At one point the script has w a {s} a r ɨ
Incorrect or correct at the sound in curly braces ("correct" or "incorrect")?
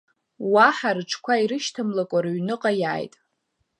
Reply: incorrect